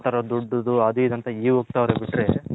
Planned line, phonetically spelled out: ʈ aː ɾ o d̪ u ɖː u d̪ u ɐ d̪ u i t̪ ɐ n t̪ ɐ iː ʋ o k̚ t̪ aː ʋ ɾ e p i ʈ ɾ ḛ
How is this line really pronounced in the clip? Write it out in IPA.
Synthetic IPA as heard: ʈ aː ɾ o d̪ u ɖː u d̪ u ɐ d̪ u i d̪ ɐ n t̪ ɐ iː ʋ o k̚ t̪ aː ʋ ɾ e b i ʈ ɾ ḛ